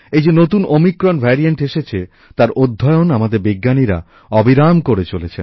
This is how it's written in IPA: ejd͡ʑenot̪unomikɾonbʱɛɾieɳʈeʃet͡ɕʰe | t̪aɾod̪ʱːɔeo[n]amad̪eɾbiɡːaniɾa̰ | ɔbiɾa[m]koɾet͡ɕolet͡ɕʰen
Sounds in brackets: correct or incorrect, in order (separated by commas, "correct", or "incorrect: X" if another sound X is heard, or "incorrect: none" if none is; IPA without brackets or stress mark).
correct, correct